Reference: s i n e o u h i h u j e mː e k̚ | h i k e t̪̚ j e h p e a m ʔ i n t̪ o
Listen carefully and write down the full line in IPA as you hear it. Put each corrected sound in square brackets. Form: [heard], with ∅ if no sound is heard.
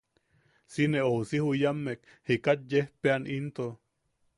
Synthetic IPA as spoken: s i n e o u [s] i h u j [a] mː e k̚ | h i k [a] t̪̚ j e h p e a [n] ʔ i n t̪ o